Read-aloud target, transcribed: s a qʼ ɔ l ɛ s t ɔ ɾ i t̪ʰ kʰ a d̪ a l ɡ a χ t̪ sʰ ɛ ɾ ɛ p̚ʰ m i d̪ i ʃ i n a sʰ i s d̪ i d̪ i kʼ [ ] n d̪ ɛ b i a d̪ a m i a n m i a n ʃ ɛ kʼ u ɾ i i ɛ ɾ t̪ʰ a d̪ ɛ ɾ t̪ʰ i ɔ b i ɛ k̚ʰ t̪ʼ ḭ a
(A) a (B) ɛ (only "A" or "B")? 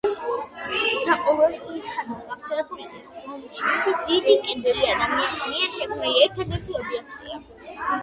B